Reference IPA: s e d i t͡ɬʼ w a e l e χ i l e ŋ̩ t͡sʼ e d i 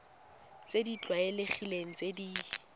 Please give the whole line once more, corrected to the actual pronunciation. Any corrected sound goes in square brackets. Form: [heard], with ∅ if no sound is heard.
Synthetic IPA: [t͡s] e d i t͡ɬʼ w a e l e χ i l e ŋ̩ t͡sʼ e d i